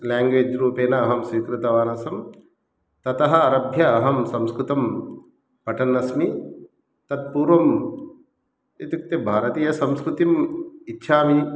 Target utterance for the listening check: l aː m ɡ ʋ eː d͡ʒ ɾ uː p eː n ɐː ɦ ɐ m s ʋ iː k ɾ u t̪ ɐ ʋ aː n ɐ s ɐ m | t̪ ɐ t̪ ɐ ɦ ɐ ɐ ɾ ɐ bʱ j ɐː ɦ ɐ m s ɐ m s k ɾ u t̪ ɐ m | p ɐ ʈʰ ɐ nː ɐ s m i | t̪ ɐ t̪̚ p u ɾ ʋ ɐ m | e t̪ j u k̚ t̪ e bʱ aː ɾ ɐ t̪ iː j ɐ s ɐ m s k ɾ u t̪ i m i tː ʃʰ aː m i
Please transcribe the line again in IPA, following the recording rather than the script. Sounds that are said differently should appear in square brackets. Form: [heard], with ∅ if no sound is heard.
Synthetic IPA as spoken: l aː [ŋ] ɡ ʋ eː d͡ʒ ɾ uː p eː n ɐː ɦ ɐ m s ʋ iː k ɾ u t̪ ɐ ʋ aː n ɐ s ɐ m | t̪ ɐ t̪ ɐ ɦ ɐ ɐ ɾ ɐ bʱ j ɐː ɦ ɐ m s ɐ m s k ɾ u t̪ ɐ m | p ɐ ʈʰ ɐ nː ɐ s m i | t̪ ɐ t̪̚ p [uː] ɾ ʋ ɐ m | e t̪ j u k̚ t̪ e bʱ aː ɾ ɐ t̪ iː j ɐ s ɐ m s k ɾ u t̪ i m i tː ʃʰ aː m i

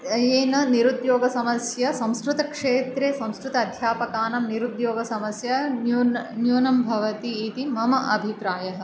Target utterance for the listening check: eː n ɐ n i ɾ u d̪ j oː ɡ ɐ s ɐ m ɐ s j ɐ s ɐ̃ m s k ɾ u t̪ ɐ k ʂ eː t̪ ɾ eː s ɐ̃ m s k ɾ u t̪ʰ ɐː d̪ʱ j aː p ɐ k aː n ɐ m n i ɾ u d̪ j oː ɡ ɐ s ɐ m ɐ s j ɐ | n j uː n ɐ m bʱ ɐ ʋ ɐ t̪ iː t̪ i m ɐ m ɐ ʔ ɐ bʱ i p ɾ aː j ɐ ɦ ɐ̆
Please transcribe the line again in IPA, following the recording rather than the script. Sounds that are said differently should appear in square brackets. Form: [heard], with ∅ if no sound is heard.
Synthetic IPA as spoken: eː n ɐ n i ɾ u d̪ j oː ɡ ɐ s ɐ m ɐ s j ɐ s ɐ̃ m s k ɾ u t̪ ɐ k ʂ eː t̪ ɾ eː s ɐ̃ m s k ɾ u [t̪] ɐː d̪ʱ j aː p ɐ k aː n ɐ m n i ɾ u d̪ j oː ɡ ɐ s ɐ m ɐ s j ɐ | n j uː n ɐ m bʱ ɐ ʋ ɐ t̪ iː t̪ i m ɐ m ɐ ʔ ɐ bʱ i p ɾ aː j ɐ ɦ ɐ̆

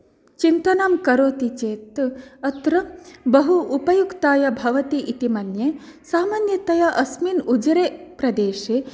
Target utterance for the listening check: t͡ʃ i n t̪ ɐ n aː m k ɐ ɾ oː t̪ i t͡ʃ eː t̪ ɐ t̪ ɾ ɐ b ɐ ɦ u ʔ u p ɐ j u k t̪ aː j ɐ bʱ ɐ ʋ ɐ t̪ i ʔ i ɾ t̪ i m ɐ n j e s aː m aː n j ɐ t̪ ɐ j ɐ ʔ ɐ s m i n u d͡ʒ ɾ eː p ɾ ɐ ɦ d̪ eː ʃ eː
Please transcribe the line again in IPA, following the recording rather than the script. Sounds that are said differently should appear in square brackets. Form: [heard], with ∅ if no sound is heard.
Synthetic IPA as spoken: t͡ʃ i n t̪ ɐ n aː m k ɐ ɾ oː t̪ i t͡ʃ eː t̪ ɐ t̪ ɾ ɐ b ɐ ɦ u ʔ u p ɐ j u k t̪ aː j ɐ bʱ ɐ ʋ ɐ t̪ i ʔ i [∅] t̪ i m ɐ n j e s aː m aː n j ɐ t̪ ɐ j ɐ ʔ ɐ s m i n u d͡ʒ ɾ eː p ɾ ɐ [∅] d̪ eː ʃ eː

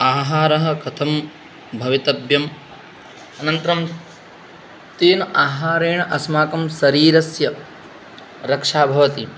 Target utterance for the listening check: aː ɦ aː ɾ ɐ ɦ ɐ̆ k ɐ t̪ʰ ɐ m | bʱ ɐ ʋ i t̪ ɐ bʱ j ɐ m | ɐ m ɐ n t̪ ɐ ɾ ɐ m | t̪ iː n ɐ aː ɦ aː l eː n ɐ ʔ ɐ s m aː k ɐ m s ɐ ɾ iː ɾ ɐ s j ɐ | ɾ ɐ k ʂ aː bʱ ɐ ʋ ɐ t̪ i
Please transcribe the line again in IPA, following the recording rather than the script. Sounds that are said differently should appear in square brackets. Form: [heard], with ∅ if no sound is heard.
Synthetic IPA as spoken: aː ɦ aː ɾ ɐ ɦ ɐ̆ k ɐ t̪ʰ ɐ m | bʱ ɐ ʋ i t̪ ɐ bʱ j ɐ m | ɐ [n] ɐ n t̪ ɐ ɾ ɐ m | t̪ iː n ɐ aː ɦ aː [ɾ] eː [ɳ] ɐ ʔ ɐ s m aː k ɐ m s ɐ ɾ iː ɾ ɐ s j ɐ | ɾ ɐ k ʂ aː bʱ ɐ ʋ ɐ t̪ i

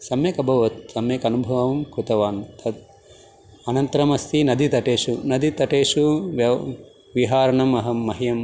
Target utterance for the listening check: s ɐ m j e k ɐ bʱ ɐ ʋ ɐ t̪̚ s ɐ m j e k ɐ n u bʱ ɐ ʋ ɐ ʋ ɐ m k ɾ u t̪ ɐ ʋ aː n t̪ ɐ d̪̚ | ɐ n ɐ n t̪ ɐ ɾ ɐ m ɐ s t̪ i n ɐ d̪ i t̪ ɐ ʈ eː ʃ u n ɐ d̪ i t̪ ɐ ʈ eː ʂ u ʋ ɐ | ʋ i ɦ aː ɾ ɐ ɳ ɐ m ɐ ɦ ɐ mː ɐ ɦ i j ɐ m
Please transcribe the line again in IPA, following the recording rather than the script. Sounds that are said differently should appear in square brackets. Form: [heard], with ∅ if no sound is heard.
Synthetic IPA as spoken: s ɐ m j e k ɐ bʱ ɐ ʋ ɐ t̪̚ s ɐ m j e k ɐ n u bʱ ɐ ʋ ɐ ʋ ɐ m k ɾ u t̪ ɐ ʋ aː n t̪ ɐ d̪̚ | ɐ n ɐ n t̪ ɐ ɾ ɐ m ɐ s t̪ i n ɐ d̪ i t̪ ɐ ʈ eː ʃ u n ɐ d̪ i t̪ ɐ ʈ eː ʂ u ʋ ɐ | ʋ i ɦ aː ɾ ɐ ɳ ɐ m ɐ ɦ ɐ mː ɐ ɦ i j ɐ m

